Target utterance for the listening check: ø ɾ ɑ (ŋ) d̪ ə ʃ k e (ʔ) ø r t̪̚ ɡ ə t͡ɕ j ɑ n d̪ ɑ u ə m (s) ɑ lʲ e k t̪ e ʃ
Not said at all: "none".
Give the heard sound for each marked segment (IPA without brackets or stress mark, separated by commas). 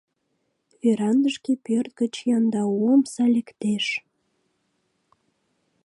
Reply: n, p, s